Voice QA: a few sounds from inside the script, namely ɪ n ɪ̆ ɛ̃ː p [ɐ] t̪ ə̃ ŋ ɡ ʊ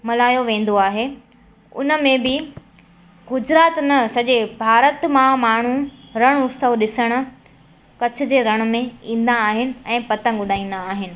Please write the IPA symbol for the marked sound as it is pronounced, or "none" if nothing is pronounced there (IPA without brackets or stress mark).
ɐ